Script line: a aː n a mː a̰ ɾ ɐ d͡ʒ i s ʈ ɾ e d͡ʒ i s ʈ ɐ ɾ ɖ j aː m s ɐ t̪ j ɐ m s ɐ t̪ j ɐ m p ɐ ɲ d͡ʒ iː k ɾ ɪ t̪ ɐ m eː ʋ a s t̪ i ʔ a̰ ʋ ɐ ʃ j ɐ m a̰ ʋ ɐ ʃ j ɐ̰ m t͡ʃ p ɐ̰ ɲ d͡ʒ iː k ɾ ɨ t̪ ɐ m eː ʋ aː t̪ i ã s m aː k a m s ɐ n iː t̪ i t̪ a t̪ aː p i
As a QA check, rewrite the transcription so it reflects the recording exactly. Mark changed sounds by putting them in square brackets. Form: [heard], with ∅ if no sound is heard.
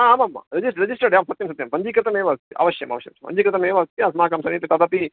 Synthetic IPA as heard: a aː [m] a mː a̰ ɾ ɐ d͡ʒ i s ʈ ɾ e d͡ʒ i s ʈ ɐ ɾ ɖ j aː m s ɐ t̪ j ɐ m s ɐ t̪ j ɐ m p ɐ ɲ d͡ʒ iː k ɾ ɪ t̪ ɐ m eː ʋ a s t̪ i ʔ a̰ ʋ ɐ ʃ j ɐ m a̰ ʋ ɐ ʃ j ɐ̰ m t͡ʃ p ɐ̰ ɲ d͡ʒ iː k ɾ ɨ t̪ ɐ m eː ʋ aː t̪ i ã s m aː k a m s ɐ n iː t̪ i t̪ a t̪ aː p i